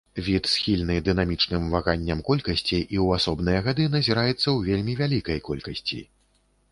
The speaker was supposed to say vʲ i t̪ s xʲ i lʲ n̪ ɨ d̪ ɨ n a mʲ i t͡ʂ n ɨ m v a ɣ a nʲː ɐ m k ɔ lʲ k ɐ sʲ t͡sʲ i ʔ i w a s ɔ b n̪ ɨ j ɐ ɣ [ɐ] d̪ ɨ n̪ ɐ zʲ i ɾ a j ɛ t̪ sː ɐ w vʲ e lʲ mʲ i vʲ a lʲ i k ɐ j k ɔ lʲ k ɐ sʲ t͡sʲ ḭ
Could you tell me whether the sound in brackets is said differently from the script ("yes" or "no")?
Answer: yes